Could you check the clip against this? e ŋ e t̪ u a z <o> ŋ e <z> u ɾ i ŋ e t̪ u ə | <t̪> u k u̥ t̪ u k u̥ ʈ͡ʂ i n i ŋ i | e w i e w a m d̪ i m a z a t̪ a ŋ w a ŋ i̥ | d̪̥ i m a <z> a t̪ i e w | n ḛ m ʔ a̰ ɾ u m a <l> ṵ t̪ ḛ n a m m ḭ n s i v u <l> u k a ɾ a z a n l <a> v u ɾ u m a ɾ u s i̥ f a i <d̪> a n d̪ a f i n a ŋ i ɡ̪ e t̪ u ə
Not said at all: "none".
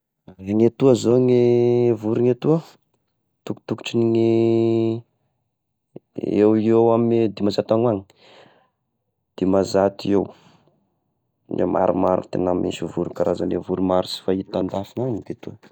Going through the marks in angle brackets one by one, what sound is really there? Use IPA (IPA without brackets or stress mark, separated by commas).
o, v, t̪, z, ɾ, ɾ, e, t̪